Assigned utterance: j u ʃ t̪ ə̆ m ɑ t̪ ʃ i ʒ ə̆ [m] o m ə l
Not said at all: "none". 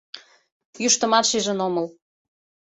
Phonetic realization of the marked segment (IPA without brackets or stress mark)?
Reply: n